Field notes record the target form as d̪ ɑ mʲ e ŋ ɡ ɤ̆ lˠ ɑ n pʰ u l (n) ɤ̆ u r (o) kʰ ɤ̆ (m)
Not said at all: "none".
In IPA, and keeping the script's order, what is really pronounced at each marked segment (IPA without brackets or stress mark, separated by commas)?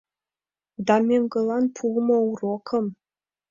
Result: m, o, m